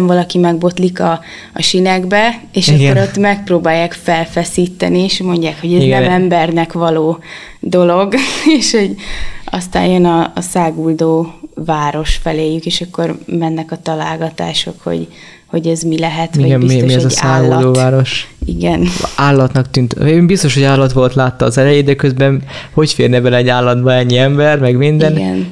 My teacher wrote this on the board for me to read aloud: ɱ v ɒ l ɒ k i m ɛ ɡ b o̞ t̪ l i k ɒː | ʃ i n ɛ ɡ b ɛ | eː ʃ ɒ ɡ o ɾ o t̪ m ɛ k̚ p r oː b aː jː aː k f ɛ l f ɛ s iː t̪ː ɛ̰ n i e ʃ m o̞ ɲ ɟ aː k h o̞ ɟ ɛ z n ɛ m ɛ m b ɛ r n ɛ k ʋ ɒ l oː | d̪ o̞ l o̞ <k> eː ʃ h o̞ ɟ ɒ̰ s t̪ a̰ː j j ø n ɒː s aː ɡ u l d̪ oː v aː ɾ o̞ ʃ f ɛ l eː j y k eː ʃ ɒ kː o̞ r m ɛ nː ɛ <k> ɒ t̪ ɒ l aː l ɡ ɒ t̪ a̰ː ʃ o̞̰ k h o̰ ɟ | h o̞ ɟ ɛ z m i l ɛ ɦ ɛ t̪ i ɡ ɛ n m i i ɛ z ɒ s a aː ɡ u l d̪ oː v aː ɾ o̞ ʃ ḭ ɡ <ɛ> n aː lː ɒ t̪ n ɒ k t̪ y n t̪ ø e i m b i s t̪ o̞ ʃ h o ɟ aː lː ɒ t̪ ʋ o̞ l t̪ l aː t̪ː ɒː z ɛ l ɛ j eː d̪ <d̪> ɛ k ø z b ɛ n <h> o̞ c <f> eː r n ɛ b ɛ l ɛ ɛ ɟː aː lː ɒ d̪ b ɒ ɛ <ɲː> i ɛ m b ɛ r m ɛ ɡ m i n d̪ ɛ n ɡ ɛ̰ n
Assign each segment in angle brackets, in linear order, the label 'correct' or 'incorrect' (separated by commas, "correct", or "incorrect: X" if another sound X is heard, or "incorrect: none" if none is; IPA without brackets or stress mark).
incorrect: ɡ, correct, correct, correct, correct, correct, correct